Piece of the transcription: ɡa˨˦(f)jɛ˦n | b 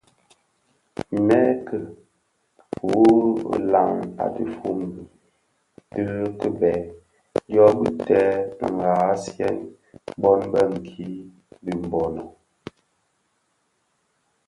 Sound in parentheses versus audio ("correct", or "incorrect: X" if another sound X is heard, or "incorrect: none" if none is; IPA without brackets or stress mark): incorrect: s